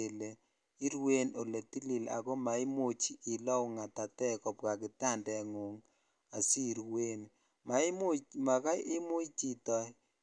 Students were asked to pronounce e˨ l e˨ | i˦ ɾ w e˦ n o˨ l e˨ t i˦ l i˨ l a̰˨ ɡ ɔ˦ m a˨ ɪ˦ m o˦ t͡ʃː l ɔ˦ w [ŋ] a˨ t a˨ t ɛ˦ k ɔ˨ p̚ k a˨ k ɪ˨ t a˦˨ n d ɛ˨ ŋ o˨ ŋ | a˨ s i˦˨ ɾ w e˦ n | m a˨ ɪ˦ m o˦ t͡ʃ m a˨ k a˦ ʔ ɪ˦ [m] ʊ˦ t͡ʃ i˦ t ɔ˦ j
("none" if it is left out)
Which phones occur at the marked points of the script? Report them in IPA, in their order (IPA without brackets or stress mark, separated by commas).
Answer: ŋ, m